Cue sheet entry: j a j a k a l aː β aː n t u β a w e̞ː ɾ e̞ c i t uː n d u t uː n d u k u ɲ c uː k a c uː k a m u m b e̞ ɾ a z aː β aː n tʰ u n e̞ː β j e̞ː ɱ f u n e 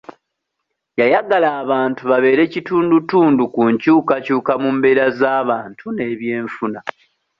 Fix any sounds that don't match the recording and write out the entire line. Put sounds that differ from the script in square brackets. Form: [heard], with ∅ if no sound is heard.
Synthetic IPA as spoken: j a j a [ɡ] a l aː β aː n t u β a [β] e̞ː ɾ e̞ c i t uː n d u t uː n d u k u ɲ c uː k a c uː k a m u m b e̞ ɾ a z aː β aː n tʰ u n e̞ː β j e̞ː ɱ f u n [a]